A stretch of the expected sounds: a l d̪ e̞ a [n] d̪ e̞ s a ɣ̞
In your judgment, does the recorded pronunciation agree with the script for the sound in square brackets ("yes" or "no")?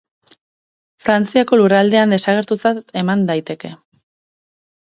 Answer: yes